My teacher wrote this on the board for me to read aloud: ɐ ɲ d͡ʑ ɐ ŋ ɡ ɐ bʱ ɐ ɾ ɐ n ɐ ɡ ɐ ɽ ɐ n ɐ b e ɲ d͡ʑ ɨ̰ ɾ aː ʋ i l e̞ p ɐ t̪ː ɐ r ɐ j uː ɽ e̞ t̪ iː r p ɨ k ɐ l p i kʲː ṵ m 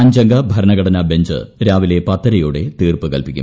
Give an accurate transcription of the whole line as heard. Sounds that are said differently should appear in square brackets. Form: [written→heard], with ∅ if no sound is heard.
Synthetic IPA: ɐ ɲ d͡ʑ ɐ ŋ ɡ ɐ bʱ ɐ ɾ ɐ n ɐ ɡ ɐ ɽ ɐ n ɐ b e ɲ d͡ʑ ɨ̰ ɾ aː ʋ i l e̞ p ɐ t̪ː ɐ [r→ɾ] ɐ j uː ɽ e̞ t̪ iː r p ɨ k ɐ l p i kʲː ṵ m